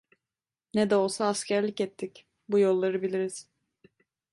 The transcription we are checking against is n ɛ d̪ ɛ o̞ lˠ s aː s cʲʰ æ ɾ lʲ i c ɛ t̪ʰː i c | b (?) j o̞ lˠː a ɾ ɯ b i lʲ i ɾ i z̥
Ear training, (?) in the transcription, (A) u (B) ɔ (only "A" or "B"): A